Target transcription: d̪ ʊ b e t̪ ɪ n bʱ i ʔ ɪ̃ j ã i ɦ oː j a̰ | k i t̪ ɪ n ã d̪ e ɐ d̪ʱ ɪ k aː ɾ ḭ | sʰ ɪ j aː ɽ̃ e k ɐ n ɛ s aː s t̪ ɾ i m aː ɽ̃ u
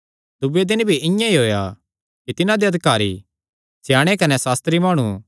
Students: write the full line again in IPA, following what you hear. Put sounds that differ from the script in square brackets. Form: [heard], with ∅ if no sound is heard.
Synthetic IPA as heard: d̪ ʊ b e [d̪] ɪ n bʱ i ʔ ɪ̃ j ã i ɦ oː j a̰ | k i t̪ ɪ n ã d̪ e ɐ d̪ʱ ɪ k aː ɾ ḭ | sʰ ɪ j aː ɽ̃ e k ɐ n ɛ s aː s t̪ ɾ i m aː ɽ̃ u